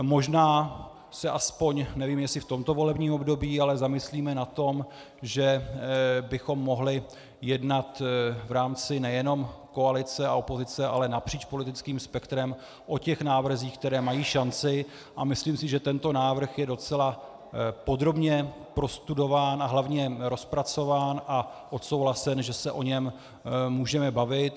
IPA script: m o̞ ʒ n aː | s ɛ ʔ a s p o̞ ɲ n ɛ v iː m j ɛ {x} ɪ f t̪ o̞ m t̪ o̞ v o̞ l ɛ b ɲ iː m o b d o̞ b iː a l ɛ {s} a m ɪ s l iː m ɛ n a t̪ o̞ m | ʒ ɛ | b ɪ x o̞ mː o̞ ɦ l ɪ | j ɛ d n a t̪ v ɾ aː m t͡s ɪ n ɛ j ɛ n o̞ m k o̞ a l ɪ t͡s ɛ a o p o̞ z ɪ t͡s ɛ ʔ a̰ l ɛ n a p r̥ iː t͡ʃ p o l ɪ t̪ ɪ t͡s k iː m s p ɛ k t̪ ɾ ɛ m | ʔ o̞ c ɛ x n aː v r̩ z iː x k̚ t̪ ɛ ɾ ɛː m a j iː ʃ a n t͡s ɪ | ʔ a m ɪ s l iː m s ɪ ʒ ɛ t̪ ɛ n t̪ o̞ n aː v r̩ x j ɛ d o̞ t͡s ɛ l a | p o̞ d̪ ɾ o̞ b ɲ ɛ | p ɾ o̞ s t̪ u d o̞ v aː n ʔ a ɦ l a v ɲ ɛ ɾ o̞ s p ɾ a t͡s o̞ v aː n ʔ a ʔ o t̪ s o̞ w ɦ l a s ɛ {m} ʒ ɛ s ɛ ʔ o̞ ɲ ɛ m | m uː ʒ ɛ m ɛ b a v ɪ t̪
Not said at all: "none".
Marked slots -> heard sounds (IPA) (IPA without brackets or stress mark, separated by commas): s, z, n